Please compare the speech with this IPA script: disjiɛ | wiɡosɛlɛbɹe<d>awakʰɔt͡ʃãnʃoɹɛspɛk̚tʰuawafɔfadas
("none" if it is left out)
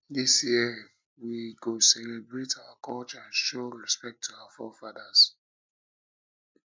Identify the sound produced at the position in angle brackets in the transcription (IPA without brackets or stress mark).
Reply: t